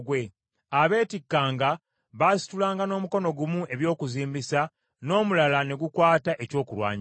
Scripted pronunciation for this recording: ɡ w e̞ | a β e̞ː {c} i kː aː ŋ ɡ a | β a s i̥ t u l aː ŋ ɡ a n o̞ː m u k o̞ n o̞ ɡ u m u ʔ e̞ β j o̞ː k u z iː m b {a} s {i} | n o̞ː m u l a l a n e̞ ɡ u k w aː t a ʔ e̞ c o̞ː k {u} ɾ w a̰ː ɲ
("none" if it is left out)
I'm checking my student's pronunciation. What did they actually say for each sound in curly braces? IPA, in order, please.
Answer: t, i, a, u

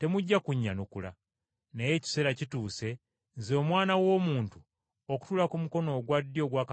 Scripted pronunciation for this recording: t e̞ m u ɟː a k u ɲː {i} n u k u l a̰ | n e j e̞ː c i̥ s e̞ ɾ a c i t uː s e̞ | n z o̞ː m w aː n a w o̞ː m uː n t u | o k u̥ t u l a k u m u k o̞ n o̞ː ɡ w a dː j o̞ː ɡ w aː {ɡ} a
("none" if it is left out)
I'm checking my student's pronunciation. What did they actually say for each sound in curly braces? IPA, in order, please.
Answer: a, k

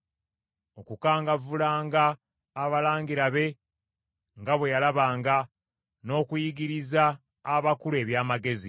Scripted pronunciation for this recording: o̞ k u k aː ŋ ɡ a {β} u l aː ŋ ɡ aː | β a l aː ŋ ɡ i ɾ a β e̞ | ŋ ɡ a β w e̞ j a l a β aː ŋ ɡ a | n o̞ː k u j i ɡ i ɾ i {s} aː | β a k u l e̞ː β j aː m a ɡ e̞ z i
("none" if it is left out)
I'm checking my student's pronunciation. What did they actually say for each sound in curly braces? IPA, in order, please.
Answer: v, z

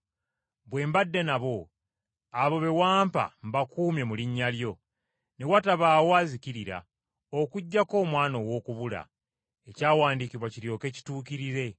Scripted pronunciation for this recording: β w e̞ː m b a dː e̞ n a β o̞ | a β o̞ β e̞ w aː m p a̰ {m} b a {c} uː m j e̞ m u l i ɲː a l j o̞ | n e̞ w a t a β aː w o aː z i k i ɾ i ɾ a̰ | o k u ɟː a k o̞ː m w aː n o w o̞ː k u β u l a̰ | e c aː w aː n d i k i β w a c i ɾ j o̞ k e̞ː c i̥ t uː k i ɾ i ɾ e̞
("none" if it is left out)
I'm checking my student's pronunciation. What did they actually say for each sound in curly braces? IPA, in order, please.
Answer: m, k

